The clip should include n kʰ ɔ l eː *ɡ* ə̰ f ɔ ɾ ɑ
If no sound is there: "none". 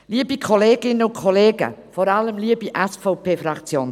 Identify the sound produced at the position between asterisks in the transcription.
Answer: ɡ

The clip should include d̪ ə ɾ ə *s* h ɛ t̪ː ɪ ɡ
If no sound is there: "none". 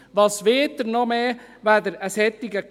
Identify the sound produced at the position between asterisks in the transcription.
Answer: s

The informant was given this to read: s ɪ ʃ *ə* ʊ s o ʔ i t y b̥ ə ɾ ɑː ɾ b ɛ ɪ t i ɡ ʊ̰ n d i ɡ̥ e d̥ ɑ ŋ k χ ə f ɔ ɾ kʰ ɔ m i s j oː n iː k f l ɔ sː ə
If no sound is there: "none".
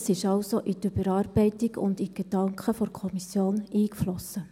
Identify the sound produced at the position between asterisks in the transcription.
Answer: ɑ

